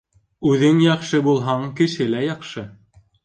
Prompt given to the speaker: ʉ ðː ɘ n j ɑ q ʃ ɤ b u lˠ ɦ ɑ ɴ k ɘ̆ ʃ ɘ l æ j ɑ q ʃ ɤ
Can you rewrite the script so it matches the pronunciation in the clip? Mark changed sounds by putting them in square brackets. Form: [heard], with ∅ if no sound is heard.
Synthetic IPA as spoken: ʉ [ð] ɘ [ŋ] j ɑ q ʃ ɤ b u lˠ ɦ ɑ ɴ k ɘ̆ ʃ ɘ l æ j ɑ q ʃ ɤ